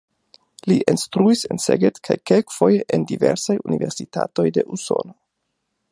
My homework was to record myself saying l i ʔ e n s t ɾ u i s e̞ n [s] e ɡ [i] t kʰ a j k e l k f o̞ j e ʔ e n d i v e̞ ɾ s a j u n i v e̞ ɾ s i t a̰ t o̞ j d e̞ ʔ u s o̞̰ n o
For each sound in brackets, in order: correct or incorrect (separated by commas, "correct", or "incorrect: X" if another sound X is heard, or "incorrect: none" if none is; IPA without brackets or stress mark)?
correct, incorrect: e